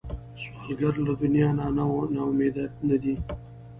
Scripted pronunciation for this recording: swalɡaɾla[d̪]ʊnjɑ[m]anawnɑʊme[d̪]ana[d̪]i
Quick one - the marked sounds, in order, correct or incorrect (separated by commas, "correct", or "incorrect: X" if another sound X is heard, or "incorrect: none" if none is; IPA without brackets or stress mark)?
correct, incorrect: n, correct, correct